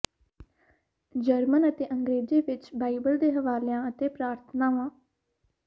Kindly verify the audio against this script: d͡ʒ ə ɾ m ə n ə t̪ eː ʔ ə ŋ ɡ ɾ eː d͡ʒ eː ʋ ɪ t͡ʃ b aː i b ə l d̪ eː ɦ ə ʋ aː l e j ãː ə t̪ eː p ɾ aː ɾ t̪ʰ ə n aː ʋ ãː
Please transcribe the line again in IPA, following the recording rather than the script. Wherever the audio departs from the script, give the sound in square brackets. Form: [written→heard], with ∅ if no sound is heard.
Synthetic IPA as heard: d͡ʒ ə ɾ m ə n ə t̪ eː ʔ ə ŋ ɡ ɾ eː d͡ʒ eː ʋ ɪ t͡ʃ b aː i b ə l d̪ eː ɦ ə ʋ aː l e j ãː ə t̪ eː p ɾ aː ɾ t̪ʰ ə n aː ʋ ãː